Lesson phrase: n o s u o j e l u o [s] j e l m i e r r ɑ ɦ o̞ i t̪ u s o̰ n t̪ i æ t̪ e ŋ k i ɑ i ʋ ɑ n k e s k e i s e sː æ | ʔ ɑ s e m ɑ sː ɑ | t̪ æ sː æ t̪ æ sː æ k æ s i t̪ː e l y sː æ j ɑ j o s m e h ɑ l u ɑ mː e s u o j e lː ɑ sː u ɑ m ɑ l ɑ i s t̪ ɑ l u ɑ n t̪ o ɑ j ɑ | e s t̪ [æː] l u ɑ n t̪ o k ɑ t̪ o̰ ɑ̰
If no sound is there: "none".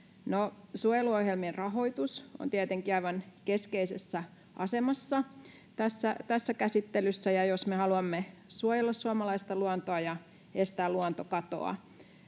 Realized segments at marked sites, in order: h, æː

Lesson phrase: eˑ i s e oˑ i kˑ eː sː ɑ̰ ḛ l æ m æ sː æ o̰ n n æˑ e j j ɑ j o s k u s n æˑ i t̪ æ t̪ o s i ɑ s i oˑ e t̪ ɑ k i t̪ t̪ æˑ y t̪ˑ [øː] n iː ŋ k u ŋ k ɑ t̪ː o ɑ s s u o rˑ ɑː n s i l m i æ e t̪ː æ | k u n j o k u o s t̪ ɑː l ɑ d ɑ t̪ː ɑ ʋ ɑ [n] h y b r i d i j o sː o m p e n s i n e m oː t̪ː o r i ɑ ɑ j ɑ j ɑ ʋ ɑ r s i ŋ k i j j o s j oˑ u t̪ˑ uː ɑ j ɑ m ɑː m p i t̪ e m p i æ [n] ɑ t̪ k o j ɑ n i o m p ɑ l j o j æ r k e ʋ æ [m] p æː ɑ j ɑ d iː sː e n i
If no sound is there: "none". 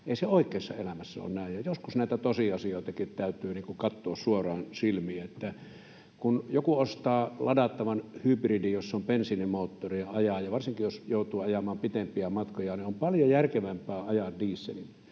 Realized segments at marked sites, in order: yː, n, m, m

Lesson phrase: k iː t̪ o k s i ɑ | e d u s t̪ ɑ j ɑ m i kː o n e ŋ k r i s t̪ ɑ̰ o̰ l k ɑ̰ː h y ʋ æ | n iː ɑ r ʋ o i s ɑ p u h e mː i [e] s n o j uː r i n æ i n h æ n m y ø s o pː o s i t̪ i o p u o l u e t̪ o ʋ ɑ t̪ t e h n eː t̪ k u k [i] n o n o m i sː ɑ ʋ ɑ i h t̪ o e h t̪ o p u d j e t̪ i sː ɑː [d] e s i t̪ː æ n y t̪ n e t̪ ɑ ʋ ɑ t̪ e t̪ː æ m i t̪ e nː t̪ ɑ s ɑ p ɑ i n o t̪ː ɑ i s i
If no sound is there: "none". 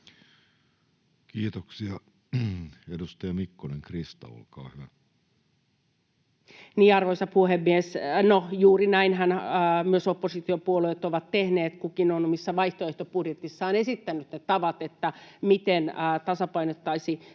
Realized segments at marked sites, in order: e, i, n

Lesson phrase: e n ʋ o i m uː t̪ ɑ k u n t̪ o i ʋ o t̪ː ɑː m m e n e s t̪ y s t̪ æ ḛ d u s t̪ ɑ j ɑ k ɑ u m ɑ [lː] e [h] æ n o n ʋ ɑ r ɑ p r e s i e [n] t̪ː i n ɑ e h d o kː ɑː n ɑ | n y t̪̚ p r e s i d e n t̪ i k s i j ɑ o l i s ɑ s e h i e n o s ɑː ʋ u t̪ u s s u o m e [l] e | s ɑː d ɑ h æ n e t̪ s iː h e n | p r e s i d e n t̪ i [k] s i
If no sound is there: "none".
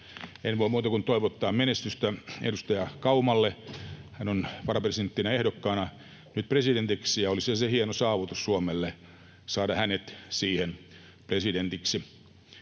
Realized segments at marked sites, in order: lː, h, n, lː, k

